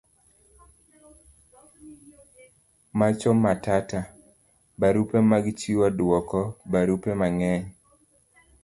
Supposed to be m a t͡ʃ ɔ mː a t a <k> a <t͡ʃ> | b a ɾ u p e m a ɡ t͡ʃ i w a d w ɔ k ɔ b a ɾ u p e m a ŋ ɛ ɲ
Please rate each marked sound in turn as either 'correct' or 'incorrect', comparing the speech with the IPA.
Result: incorrect: t, incorrect: none

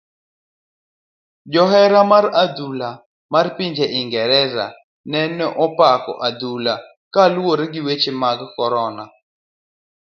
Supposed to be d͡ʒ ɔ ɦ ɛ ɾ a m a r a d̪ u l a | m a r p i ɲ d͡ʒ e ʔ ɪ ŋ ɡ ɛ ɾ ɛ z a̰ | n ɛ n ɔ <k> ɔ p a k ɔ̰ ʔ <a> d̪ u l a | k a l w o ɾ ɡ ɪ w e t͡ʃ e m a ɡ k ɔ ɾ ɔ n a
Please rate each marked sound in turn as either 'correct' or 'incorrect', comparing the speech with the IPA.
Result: incorrect: ʔ, correct

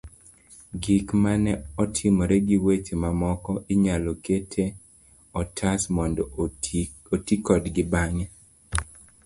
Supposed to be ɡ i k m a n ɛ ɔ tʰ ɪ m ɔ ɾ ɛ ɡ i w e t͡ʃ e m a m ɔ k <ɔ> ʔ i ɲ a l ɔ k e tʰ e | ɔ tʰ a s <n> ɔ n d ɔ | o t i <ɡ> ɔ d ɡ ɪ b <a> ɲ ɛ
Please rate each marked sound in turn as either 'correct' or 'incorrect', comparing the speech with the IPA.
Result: correct, incorrect: m, incorrect: k, correct

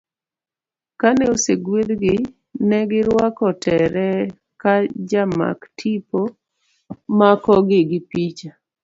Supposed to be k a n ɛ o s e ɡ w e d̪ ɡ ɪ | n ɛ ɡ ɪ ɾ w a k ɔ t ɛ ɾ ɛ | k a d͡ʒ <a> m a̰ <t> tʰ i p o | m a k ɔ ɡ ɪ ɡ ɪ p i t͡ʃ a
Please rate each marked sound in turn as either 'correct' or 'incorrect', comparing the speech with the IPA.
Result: correct, incorrect: k

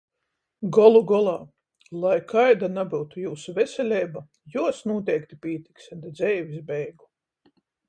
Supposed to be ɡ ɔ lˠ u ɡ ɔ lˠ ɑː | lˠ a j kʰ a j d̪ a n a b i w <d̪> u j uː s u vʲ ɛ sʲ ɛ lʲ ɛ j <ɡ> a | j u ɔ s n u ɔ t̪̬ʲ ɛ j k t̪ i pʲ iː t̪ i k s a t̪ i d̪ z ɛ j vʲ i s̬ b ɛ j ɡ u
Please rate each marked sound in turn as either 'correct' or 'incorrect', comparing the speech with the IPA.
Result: incorrect: t̪, incorrect: b

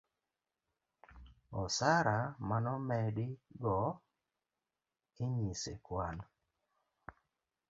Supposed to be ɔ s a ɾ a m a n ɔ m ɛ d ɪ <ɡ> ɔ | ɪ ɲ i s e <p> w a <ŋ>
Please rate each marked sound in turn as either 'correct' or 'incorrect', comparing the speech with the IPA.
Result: correct, incorrect: k, incorrect: n

